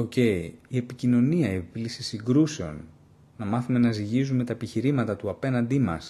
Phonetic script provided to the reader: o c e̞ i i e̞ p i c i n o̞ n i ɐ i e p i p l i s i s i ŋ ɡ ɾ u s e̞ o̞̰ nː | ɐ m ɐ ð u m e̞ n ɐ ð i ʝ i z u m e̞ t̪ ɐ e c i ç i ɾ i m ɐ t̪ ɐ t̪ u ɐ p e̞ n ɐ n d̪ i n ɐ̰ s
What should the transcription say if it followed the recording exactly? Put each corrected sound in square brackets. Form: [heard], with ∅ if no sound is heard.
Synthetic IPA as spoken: o c e̞ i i e̞ p i c i n o̞ n i ɐ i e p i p l i s i s i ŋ ɡ ɾ u s e̞ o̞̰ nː | ɐ m ɐ [θ] u m e̞ n ɐ [z] i ʝ i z u m e̞ t̪ ɐ e [p] i ç i ɾ i m ɐ t̪ ɐ t̪ u ɐ p e̞ n ɐ n d̪ i [m] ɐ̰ s